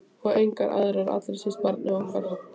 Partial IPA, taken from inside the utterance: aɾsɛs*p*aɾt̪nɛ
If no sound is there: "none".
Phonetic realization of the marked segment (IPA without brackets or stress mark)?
p